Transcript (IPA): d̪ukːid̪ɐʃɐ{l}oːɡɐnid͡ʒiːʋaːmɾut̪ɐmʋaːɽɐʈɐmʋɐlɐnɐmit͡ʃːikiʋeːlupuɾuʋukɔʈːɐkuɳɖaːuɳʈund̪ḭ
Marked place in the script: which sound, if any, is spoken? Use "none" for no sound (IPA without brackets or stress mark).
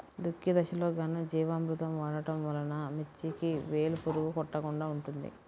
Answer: l